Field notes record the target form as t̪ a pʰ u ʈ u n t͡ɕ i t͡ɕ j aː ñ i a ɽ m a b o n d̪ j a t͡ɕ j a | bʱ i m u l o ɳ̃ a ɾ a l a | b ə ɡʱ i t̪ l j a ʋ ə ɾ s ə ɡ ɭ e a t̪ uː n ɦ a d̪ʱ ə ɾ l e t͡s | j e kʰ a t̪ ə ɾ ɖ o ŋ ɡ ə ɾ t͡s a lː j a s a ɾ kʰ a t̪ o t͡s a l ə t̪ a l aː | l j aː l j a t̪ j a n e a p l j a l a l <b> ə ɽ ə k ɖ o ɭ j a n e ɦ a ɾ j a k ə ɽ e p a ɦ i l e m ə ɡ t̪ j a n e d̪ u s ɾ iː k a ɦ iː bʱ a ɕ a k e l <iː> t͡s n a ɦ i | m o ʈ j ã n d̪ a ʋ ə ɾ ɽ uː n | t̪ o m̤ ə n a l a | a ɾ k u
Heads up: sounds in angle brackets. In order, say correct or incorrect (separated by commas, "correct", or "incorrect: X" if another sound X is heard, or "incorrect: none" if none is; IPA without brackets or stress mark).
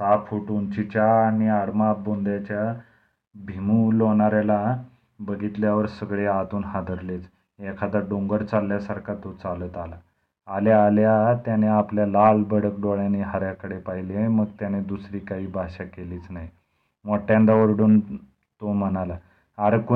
correct, correct